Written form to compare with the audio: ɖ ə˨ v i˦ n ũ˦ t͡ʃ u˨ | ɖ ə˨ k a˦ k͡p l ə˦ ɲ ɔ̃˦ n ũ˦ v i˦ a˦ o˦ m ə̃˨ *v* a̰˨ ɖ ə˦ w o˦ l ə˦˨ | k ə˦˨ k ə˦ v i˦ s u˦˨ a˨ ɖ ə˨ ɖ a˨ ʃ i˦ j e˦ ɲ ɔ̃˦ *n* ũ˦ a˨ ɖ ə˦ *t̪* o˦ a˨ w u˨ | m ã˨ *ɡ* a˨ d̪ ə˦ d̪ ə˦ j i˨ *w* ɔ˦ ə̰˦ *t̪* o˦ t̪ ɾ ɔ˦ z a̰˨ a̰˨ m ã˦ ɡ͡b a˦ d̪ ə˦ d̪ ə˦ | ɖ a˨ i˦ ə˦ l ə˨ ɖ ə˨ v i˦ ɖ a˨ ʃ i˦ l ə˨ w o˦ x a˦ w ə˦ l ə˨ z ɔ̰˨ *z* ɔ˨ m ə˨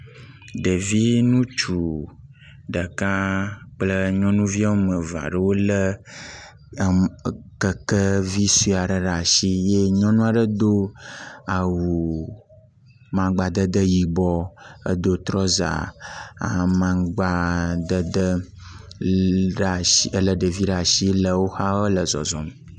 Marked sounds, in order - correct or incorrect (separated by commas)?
correct, correct, incorrect, incorrect, incorrect, incorrect, correct